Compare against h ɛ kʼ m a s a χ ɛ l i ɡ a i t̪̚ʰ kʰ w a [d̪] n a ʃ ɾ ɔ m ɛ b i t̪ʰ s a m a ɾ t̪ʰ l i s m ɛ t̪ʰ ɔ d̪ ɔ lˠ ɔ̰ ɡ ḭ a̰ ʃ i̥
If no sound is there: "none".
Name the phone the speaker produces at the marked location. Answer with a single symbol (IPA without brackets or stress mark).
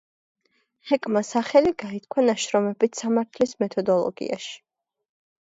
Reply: none